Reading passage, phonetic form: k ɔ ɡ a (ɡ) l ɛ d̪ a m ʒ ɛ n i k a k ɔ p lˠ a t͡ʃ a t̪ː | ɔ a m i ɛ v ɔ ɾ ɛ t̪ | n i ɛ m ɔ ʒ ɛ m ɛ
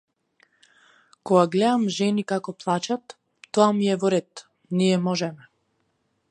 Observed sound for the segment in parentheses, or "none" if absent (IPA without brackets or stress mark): ɡ